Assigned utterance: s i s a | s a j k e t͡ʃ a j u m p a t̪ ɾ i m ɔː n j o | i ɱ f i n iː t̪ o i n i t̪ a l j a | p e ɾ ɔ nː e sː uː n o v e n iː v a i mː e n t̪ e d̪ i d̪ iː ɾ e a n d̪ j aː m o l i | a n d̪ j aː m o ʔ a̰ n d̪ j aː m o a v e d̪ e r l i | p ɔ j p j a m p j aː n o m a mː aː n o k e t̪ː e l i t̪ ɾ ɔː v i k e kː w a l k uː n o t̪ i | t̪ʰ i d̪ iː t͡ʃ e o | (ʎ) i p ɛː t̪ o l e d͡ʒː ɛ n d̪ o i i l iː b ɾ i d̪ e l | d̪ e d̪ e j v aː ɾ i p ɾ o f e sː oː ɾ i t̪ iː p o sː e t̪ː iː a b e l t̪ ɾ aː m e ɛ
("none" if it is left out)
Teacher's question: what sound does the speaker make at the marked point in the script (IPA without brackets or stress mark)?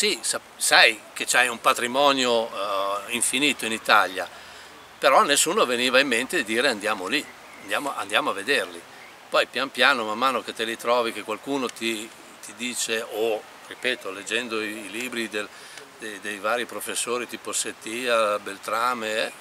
r